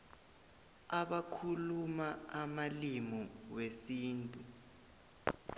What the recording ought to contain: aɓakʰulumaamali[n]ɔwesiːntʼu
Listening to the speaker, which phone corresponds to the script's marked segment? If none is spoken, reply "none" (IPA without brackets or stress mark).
m